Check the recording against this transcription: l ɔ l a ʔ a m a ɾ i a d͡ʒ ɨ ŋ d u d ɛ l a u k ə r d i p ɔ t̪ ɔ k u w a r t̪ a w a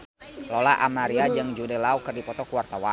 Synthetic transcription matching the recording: l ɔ l a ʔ a m a ɾ i a d͡ʒ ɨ ŋ d͡ʒ u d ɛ l a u k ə r d i p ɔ t̪ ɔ k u w a r t̪ a w a

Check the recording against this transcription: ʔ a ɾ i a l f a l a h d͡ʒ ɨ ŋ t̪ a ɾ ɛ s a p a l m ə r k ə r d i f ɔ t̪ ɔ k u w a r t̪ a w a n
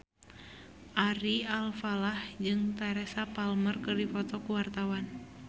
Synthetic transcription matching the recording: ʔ a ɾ i a l f a l a h d͡ʒ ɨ ŋ t̪ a ɾ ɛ s a p a l m ə r k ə r d i f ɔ t̪ ɔ k u w a r t̪ a w a n

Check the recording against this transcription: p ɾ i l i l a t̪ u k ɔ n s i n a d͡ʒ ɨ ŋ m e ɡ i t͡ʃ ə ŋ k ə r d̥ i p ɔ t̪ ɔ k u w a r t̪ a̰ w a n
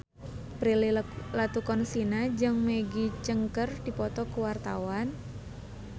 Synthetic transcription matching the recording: p ɾ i l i l a t̪ u k ɔ n s i n a d͡ʒ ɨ ŋ m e ɡ i t͡ʃ ə ŋ k ə r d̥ i p ɔ t̪ ɔ k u w a r t̪ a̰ w a n

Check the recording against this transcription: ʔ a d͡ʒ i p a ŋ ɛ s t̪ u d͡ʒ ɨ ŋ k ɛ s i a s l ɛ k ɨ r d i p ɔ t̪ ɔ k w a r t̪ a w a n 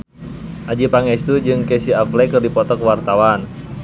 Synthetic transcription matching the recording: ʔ a d͡ʒ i p a ŋ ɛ s t̪ u d͡ʒ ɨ ŋ k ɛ s i a f l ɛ k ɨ r d i p ɔ t̪ ɔ k w a r t̪ a w a n

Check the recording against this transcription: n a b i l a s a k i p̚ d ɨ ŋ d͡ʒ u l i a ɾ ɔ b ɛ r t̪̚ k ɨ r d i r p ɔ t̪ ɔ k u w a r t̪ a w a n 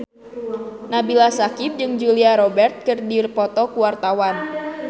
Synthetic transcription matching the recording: n a b i l a s a k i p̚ d͡ʒ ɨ ŋ d͡ʒ u l i a ɾ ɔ b ɛ r t̪̚ k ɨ r d i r p ɔ t̪ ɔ k u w a r t̪ a w a n

